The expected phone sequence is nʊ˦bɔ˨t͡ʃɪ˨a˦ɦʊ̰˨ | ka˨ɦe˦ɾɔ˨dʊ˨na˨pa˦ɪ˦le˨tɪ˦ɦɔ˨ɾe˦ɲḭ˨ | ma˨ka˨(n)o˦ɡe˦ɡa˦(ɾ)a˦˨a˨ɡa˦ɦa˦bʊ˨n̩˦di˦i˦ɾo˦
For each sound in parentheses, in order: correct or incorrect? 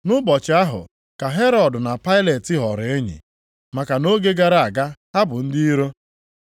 correct, correct

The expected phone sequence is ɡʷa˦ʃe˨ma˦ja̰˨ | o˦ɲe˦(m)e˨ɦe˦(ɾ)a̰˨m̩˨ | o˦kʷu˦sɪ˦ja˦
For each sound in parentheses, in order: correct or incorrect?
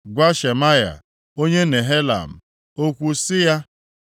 incorrect, incorrect

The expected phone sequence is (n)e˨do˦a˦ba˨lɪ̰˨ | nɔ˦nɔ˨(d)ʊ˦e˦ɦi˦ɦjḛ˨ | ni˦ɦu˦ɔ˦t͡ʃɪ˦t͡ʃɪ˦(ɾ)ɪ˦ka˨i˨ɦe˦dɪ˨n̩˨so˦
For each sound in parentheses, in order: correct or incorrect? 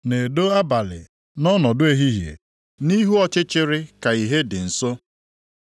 correct, correct, correct

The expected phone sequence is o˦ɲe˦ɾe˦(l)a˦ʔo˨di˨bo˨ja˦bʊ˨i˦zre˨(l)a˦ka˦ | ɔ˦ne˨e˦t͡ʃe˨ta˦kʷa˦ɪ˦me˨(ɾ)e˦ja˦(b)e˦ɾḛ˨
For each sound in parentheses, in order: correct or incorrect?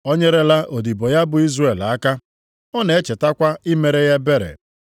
correct, correct, correct, correct

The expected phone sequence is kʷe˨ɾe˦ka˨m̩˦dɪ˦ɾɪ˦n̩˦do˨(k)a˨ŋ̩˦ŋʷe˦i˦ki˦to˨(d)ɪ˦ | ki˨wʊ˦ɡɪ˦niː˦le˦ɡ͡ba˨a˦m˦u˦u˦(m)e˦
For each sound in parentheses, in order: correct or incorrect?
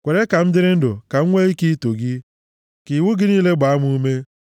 correct, incorrect, correct

